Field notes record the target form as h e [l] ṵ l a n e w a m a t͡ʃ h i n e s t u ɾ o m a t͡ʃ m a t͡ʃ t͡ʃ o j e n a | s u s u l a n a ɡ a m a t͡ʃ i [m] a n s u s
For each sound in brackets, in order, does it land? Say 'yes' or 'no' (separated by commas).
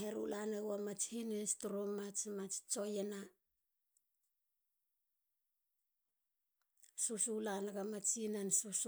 no, no